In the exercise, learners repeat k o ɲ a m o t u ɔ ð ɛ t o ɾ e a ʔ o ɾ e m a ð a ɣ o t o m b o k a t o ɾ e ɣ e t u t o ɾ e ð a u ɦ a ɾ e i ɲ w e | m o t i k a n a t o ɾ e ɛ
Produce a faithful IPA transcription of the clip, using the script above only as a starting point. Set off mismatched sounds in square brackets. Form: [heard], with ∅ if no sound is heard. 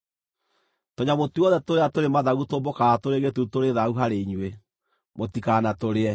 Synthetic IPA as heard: [t] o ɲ a m o t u ɔ ð ɛ t o ɾ e a [t] o ɾ e m a ð a ɣ [u] t o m b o k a t o ɾ e ɣ e t u t o ɾ e ð a u ɦ a ɾ e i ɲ w e | m o t i k a n a t o ɾ e ɛ